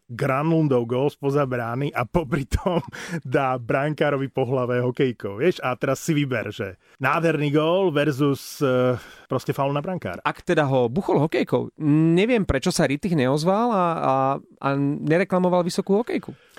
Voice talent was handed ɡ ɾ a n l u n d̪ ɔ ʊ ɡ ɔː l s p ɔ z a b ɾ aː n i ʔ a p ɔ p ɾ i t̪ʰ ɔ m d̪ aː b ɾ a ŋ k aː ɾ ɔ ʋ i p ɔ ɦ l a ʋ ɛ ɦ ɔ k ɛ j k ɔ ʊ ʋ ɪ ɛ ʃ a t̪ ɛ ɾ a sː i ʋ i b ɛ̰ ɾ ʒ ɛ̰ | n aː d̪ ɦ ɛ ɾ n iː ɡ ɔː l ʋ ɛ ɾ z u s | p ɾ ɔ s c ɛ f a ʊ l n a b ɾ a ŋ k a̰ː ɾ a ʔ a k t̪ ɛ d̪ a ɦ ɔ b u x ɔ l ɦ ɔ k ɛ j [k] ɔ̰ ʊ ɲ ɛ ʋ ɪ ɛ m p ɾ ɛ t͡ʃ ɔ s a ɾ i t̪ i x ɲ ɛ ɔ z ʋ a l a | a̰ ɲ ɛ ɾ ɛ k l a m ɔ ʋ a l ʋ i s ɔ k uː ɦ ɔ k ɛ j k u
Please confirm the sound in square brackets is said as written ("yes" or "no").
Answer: yes